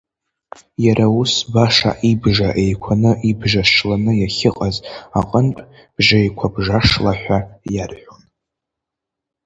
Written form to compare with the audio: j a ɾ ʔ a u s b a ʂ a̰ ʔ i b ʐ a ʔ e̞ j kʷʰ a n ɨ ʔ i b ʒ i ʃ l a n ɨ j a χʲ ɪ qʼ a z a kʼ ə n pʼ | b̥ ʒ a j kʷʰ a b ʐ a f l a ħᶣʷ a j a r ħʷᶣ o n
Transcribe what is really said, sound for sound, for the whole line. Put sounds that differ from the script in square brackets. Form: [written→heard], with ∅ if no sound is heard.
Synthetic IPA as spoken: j a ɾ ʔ a u s b a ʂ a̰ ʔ i b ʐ a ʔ e̞ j kʷʰ a n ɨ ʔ i b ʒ [i→a] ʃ l a n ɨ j a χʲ ɪ qʼ a z a [kʼ→qʼ] ə n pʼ | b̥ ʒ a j kʷʰ a b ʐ a [f→ʂ] l a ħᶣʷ a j a r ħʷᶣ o n